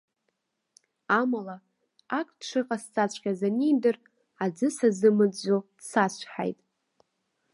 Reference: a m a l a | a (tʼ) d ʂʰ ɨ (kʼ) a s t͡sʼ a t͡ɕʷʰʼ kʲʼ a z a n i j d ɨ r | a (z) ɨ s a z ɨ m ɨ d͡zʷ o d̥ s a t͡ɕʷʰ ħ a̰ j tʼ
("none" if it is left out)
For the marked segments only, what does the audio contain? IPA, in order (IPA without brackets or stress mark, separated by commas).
kʼ, qʼ, d͡z